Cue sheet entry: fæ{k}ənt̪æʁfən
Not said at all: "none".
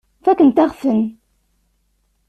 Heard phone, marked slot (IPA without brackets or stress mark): k